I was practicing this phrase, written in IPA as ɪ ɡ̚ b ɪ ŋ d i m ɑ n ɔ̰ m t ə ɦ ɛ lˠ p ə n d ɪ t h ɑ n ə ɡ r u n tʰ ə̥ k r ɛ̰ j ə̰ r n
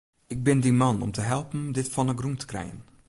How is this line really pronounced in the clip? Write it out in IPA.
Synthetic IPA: ɪ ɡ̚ b ɪ n d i m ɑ n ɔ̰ m t ə ɦ ɛ lˠ p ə n d ɪ t f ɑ n ə ɡ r u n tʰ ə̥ k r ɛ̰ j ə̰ n